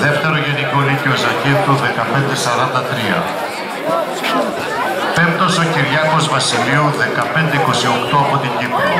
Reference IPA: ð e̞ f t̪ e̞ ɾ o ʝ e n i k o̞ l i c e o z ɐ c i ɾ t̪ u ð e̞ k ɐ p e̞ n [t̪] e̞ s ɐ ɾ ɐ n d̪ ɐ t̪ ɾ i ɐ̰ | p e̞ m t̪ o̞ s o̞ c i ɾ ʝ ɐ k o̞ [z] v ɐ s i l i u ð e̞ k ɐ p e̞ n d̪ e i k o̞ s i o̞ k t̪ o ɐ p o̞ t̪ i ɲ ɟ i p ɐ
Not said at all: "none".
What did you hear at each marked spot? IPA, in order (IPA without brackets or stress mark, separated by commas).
d̪, z